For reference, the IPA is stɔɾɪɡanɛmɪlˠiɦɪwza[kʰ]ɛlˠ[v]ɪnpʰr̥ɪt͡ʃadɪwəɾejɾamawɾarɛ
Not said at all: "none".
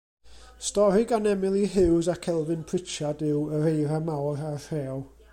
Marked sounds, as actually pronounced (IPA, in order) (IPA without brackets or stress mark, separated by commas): kʰ, v